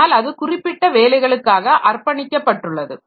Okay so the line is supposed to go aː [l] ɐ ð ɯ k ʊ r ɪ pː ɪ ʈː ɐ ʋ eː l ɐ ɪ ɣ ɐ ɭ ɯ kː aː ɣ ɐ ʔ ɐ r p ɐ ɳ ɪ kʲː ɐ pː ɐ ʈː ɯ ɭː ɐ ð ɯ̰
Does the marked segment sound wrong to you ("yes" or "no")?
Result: no